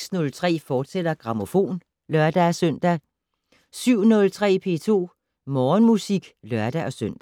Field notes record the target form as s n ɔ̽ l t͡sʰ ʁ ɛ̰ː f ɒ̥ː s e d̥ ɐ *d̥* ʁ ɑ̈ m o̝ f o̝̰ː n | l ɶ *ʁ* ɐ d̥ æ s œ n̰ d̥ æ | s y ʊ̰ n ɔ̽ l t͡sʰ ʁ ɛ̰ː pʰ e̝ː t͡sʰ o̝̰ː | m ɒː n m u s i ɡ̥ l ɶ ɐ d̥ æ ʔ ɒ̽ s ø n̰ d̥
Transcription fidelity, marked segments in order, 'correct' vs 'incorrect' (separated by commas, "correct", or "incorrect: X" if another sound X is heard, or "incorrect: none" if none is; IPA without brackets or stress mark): incorrect: ɡ̥, incorrect: none